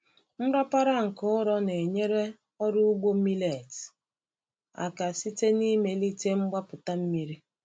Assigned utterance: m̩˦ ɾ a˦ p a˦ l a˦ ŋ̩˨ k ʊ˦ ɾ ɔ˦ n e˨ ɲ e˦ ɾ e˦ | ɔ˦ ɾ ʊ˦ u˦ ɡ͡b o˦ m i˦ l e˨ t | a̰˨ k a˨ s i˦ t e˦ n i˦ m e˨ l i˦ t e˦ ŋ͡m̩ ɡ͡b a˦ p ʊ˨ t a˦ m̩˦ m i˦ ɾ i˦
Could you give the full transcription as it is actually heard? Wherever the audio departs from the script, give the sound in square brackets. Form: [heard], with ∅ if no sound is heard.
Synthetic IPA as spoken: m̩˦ ɾ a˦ p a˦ [ɾ] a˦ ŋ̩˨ k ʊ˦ ɾ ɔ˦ n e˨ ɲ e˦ ɾ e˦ | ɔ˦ ɾ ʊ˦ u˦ ɡ͡b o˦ m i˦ l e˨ t | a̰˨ k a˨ s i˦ t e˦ n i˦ m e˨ l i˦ t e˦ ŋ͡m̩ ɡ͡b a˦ p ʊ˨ t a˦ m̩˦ m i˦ ɾ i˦